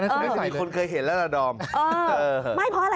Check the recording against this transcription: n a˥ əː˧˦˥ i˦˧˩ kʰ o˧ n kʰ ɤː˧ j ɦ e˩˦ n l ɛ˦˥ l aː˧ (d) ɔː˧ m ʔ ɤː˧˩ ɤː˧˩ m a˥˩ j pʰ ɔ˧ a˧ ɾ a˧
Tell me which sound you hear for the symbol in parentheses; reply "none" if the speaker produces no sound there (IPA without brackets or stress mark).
d